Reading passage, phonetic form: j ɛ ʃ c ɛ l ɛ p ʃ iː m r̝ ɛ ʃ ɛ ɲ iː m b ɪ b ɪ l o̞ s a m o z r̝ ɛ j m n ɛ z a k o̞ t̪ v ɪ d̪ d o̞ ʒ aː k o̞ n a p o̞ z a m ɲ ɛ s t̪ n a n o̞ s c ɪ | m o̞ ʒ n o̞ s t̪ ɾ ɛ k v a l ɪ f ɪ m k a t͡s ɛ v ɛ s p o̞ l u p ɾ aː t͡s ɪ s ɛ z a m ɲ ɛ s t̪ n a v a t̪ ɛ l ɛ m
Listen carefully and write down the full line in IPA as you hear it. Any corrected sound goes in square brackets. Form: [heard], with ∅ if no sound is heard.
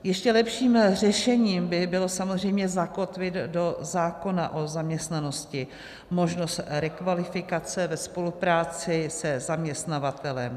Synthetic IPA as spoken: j ɛ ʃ c ɛ l ɛ p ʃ iː m r̝ ɛ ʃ ɛ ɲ iː m b ɪ b ɪ l o̞ s a m o z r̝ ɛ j m [ɲ] ɛ z a k o̞ t̪ v ɪ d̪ d o̞ [z] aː k o̞ n a [ʔ] o̞ z a m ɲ ɛ s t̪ n a n o̞ s c ɪ | m o̞ ʒ n o̞ s t̪ ɾ ɛ k v a l ɪ f ɪ [∅] k a t͡s ɛ v ɛ s p o̞ l u p ɾ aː t͡s ɪ s ɛ z a m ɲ ɛ s t̪ n a v a t̪ ɛ l ɛ m

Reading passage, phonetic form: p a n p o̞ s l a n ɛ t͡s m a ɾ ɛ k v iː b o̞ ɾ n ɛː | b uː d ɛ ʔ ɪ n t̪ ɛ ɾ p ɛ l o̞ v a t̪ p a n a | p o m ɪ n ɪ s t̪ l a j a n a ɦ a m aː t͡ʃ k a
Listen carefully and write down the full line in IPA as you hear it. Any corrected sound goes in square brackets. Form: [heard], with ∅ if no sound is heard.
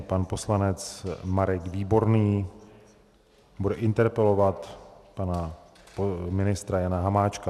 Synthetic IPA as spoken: p a n p o̞ s l a n ɛ t͡s m a ɾ ɛ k v iː b o̞ ɾ n [iː] | b [u] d ɛ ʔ ɪ n t̪ ɛ ɾ p ɛ l o̞ v a t̪ p a n a | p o m ɪ n ɪ s t̪ [ɾ] a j a n a ɦ a m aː t͡ʃ k a

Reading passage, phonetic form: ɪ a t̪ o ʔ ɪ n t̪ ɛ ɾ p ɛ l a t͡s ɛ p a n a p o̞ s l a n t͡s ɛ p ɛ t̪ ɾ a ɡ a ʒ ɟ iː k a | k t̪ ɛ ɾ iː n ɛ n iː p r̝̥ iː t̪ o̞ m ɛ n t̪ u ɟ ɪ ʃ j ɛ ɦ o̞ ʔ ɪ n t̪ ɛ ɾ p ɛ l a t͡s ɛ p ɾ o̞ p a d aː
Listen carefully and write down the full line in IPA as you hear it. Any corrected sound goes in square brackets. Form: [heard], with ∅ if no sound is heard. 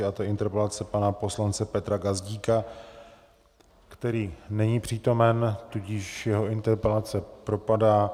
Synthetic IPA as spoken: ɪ a t̪ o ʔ ɪ n t̪ ɛ ɾ p ɛ l a t͡s ɛ p a n a p o̞ s l a n t͡s ɛ p ɛ t̪ ɾ a ɡ a [z] ɟ iː k a | k t̪ ɛ ɾ iː n ɛ [ɲ] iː p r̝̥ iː t̪ o̞ m ɛ n t̪ u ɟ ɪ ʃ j ɛ ɦ o̞ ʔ ɪ n t̪ ɛ ɾ p ɛ l a t͡s ɛ p ɾ o̞ p a d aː

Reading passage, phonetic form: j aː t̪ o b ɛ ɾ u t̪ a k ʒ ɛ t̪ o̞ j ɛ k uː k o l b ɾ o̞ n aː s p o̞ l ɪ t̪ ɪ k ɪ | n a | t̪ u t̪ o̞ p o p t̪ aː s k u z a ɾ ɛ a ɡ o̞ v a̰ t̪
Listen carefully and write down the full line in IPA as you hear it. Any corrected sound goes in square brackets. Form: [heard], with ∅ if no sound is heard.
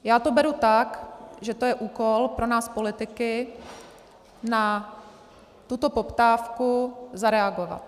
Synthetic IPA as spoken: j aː t̪ o b ɛ ɾ u t̪ a k ʒ ɛ t̪ o̞ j ɛ [ʔ] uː k o l [p] ɾ o̞ n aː s p o̞ l ɪ t̪ ɪ k ɪ | n a | t̪ u t̪ o̞ p o p t̪ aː [f] k u z a ɾ ɛ a ɡ o̞ v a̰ t̪

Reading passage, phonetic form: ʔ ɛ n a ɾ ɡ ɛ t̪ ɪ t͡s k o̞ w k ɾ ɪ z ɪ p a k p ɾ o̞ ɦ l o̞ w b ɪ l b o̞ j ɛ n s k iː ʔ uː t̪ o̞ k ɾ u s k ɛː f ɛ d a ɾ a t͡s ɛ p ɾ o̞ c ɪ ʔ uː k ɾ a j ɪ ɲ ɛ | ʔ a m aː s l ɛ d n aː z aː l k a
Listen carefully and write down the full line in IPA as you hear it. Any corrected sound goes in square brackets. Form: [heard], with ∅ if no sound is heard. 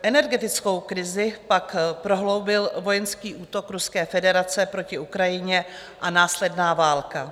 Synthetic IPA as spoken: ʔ ɛ n [ɛ] ɾ ɡ ɛ t̪ ɪ t͡s k o̞ w k ɾ ɪ z ɪ p a k p ɾ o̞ ɦ l o̞ w b ɪ l [v] o̞ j ɛ n s k iː ʔ uː t̪ o̞ k ɾ u s k ɛː f ɛ d [ɛ] ɾ a t͡s ɛ p ɾ o̞ c ɪ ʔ [u] k ɾ a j ɪ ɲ ɛ | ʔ a [n] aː s l ɛ d n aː [v] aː l k a

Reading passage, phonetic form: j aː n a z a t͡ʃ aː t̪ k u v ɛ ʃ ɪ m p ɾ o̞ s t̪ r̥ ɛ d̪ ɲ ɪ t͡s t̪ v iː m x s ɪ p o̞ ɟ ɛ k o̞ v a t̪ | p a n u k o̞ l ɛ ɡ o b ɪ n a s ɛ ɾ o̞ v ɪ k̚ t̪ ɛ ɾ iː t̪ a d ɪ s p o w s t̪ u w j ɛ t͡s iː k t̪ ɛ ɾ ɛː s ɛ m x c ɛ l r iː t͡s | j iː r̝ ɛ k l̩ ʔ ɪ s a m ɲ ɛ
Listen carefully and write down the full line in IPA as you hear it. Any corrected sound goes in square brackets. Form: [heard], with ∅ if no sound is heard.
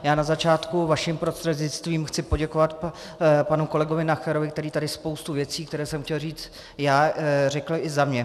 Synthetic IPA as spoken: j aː n a z a t͡ʃ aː t̪ k u v [a] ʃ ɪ m p ɾ o̞ s t̪ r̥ ɛ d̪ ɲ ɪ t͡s t̪ v iː m x [t͡s] ɪ p o̞ ɟ ɛ k o̞ v a t̪ | p a n u k o̞ l ɛ ɡ o [v] ɪ n a [x] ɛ ɾ o̞ v ɪ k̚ t̪ ɛ ɾ iː t̪ a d ɪ s p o w s t̪ u [v] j ɛ t͡s iː k t̪ ɛ ɾ ɛː s ɛ m x c ɛ l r iː t͡s | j [aː] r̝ ɛ k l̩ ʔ ɪ [z] a m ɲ ɛ

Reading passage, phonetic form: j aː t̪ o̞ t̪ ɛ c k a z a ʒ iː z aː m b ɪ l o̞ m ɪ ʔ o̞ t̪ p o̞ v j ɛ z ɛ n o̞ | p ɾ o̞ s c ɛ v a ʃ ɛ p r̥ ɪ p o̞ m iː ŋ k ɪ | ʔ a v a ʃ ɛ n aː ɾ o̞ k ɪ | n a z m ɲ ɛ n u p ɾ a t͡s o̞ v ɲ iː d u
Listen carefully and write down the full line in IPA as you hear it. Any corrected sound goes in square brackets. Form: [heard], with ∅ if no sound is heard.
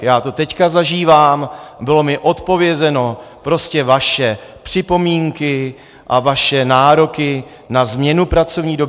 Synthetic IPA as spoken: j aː t̪ o̞ t̪ ɛ c k a z a ʒ iː [v] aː m b ɪ l o̞ m ɪ ʔ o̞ t̪ p o̞ v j ɛ z ɛ n o̞ | p ɾ o̞ s c ɛ v a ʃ ɛ p r̥ ɪ p o̞ m iː ŋ k ɪ | ʔ a v a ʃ ɛ n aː ɾ o̞ k ɪ | n a z m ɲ ɛ n u p ɾ a t͡s o̞ v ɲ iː d [o]

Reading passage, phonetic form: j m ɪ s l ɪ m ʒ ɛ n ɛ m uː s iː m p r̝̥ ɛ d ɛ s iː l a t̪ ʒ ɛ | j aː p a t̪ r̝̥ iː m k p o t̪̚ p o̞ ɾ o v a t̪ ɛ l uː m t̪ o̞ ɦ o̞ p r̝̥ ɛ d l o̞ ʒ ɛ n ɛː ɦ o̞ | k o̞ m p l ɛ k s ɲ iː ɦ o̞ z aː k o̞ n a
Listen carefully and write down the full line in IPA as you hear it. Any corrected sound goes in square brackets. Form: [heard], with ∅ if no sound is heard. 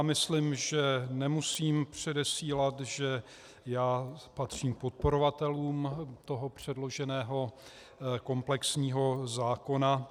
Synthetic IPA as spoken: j m ɪ s l ɪ m ʒ ɛ n ɛ m [u] s iː m p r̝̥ ɛ d ɛ s iː l a t̪ ʒ ɛ | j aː p a t̪ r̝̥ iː m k p o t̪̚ p o̞ ɾ o v a t̪ ɛ l uː m t̪ o̞ ɦ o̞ p r̝̥ ɛ d l o̞ ʒ ɛ n ɛː ɦ o̞ | k o̞ m p l ɛ k s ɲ iː ɦ o̞ z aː k o̞ n a

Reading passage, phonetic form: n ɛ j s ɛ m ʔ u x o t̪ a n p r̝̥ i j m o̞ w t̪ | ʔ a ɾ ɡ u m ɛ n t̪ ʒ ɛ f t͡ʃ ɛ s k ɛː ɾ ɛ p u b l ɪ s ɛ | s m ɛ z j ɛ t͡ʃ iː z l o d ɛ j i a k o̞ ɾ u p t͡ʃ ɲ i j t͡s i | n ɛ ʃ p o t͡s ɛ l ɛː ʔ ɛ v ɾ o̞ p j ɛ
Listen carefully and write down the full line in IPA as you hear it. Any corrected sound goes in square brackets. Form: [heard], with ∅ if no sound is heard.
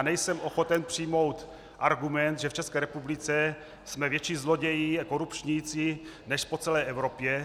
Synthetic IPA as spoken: n ɛ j s ɛ m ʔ [o] x o t̪ [ɛ] n p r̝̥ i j m o̞ w t̪ | ʔ a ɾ ɡ u m ɛ n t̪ ʒ ɛ f t͡ʃ ɛ s k ɛː ɾ ɛ p u b l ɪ [t͡s] ɛ | s m ɛ [v] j ɛ t͡ʃ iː z l o [ɟ] ɛ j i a k o̞ ɾ u p t͡ʃ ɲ i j t͡s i | n ɛ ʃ p o t͡s ɛ l ɛː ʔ ɛ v ɾ o̞ p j ɛ

